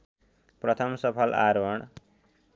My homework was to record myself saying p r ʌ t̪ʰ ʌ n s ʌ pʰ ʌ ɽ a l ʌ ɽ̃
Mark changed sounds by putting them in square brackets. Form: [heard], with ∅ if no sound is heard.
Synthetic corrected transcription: p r ʌ t̪ʰ ʌ [m] s ʌ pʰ ʌ [l] a [ɾ] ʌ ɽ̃